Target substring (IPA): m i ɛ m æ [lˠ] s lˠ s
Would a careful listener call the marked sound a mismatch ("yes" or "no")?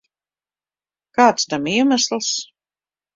yes